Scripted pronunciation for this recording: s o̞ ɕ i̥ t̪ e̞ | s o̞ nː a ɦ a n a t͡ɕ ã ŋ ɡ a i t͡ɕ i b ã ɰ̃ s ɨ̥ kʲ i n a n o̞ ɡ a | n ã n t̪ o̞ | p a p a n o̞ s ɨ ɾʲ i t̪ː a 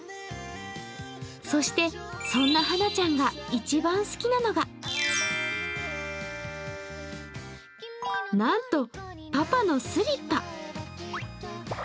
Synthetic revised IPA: s o̞ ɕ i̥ t̪ e̞ | s õ̞ nː a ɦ a n a t͡ɕ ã ŋ ɡ a i t͡ɕ i b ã ɰ̃ s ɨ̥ kʲ i n a n o̞ ɡ a | n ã n t̪ o̞ | p a p a n o̞ s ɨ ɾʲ i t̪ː a